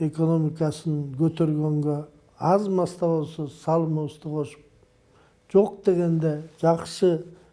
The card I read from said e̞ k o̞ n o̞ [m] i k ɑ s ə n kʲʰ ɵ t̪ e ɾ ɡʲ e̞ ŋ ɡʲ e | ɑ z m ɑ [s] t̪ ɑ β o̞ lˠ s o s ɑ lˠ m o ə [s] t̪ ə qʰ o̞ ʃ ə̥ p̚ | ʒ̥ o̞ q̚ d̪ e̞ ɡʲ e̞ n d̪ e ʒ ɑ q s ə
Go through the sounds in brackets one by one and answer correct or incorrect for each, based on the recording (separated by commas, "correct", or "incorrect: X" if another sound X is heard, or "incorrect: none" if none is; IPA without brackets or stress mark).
correct, correct, correct